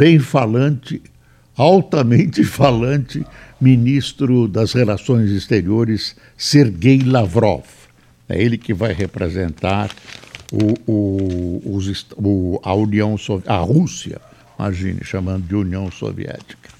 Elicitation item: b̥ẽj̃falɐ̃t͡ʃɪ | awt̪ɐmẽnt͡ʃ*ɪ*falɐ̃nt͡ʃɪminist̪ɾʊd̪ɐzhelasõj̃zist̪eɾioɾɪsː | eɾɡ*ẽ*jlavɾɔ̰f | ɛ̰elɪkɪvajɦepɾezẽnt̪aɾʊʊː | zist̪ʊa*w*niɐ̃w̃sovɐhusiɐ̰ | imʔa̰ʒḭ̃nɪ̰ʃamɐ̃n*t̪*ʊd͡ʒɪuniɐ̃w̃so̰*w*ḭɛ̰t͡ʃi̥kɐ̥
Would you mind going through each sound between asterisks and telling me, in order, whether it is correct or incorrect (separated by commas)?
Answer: correct, incorrect, incorrect, incorrect, incorrect